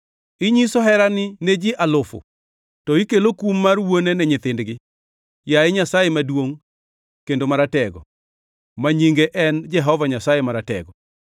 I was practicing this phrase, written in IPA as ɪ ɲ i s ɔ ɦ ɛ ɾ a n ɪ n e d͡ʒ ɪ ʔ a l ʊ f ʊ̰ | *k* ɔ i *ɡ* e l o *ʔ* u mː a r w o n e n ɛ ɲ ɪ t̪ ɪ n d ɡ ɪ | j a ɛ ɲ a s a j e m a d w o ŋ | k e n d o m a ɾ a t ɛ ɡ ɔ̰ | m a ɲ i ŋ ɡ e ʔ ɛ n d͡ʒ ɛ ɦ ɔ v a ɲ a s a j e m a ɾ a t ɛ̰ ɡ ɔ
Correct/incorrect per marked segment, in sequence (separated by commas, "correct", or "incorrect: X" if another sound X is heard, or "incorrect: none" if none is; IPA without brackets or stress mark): incorrect: t, incorrect: k, incorrect: k